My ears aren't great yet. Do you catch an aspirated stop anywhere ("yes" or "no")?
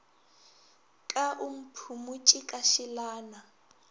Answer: yes